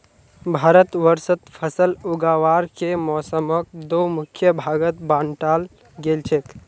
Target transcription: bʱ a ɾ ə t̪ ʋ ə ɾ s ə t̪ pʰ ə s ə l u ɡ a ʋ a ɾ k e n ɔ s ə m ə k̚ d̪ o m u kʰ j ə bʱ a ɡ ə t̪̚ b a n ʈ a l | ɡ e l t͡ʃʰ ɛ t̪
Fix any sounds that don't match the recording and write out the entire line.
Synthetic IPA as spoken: bʱ a ɾ ə t̪ ʋ ə ɾ s ə t̪ pʰ ə s ə l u ɡ a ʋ a ɾ k e m ɔ s ə m ə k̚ d̪ o m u kʰ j ə bʱ a ɡ ə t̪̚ b a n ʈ a l | ɡ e l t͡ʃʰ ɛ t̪